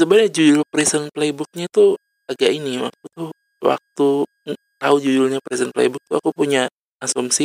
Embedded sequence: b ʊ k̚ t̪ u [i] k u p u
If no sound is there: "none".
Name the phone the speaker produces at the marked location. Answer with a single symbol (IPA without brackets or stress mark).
a